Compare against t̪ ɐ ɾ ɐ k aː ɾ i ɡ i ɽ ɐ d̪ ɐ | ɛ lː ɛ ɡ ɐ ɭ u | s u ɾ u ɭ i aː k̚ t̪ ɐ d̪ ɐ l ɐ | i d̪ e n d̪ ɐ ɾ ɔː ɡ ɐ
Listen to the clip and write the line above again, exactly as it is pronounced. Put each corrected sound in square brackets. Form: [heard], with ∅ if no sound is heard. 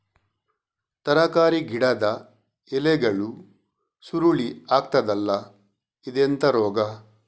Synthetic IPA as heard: t̪ ɐ ɾ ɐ k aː ɾ i ɡ i ɽ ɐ d̪ ɐ | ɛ [l] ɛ ɡ ɐ ɭ u | s u ɾ u ɭ i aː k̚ t̪ ɐ d̪ ɐ [lː] ɐ | i d̪ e n [t̪] ɐ ɾ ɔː ɡ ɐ